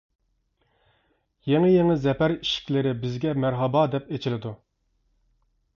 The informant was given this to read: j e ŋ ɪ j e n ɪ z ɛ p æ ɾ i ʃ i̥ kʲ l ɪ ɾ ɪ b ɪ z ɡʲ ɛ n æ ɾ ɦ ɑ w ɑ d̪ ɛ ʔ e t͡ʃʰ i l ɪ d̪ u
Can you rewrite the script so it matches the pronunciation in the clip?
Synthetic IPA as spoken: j e ŋ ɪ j e ŋ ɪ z ɛ p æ ɾ i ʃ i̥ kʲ l ɪ ɾ ɪ b ɪ z ɡʲ ɛ m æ ɾ ɦ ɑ b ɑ d̪ ɛ p e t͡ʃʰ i l ɪ d̪ u